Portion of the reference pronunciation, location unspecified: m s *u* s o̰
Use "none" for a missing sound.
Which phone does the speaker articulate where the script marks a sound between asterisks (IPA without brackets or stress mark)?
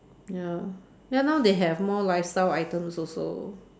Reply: ɔ